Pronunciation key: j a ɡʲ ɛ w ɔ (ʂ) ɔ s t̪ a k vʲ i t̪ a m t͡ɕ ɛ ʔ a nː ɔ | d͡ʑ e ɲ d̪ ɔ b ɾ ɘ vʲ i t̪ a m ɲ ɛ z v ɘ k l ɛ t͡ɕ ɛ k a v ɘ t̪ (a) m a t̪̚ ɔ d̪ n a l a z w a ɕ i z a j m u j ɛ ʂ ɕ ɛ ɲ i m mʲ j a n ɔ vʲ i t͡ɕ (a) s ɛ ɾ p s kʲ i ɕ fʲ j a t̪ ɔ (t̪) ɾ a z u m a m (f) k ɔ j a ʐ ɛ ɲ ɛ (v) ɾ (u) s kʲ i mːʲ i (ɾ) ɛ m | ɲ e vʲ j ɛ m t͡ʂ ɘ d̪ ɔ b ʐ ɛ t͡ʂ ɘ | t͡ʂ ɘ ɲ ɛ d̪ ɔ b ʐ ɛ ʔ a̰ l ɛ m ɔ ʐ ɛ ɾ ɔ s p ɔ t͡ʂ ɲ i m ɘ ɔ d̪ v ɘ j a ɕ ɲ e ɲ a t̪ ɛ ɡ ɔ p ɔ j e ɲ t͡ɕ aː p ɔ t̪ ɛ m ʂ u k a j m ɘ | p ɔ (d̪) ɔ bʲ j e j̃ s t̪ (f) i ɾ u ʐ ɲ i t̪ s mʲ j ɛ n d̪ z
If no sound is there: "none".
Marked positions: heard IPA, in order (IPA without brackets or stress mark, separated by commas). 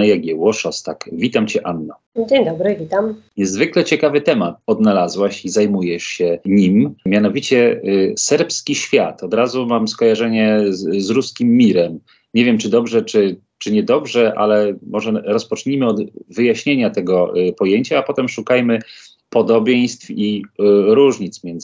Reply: ʂ, ɛ, ɛ, d̪, s, z, u, ɾ, d̪, f